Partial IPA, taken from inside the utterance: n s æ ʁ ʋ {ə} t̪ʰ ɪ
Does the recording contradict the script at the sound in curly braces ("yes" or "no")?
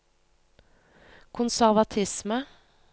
yes